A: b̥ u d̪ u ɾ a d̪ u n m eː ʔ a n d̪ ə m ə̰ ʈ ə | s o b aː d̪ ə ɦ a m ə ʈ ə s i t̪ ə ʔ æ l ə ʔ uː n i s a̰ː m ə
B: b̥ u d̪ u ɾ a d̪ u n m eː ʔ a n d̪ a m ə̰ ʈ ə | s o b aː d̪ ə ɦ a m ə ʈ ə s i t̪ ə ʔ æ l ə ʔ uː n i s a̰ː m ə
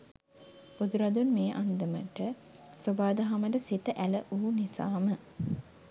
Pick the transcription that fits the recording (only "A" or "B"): A